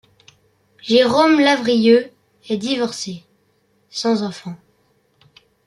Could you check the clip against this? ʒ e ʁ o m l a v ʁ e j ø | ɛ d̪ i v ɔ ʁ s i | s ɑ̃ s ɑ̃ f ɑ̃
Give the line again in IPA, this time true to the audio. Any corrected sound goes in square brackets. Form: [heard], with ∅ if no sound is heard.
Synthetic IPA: ʒ e ʁ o m l a v ʁ [i] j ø | ɛ d̪ i v ɔ ʁ s [e] | s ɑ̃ [z] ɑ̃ f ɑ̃